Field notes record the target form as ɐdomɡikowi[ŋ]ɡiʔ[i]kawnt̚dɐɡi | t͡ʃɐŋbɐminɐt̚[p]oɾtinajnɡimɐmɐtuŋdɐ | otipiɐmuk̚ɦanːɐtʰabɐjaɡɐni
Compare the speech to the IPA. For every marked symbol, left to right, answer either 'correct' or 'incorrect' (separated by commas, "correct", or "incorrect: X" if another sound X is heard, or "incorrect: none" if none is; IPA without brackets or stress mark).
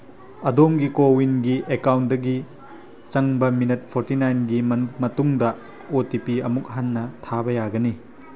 incorrect: n, incorrect: e, incorrect: pʰ